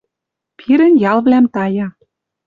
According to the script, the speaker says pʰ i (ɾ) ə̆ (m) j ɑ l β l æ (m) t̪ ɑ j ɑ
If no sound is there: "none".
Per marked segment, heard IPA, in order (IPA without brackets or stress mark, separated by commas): ɾ, n, m